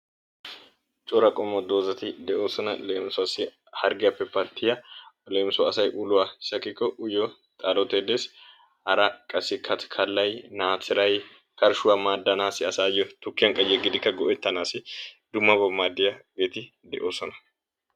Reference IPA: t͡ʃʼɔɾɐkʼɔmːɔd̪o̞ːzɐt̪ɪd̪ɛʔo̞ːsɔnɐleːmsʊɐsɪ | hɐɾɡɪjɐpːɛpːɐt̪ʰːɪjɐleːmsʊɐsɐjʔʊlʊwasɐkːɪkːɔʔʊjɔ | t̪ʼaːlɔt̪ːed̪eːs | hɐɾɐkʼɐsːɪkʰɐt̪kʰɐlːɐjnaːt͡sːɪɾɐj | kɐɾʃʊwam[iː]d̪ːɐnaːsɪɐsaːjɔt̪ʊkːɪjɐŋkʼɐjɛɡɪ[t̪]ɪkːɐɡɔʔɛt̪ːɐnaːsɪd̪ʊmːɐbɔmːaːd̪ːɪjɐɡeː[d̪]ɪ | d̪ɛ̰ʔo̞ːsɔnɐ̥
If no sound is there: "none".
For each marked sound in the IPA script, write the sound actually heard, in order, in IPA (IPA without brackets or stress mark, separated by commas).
aː, d̪, t̪